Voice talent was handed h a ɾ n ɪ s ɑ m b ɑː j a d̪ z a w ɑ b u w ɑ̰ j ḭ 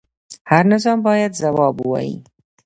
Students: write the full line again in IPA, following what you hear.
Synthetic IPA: h a ɾ n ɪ z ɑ m b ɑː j a d̪ z a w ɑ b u w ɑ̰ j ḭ